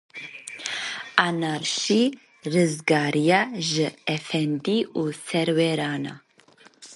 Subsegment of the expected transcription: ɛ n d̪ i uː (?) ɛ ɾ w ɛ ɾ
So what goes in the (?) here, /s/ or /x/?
s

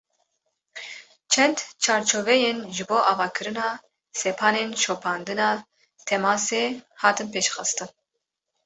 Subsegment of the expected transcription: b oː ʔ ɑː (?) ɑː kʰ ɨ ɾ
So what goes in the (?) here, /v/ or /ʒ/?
v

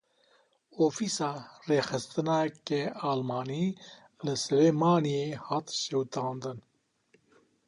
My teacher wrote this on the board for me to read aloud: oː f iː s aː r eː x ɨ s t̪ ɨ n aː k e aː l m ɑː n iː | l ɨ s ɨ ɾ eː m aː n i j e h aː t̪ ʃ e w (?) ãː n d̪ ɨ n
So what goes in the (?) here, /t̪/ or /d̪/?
t̪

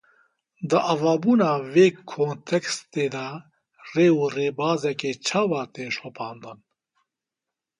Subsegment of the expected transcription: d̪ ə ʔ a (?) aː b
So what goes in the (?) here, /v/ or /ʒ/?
v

